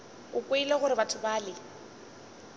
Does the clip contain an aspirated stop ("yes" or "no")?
yes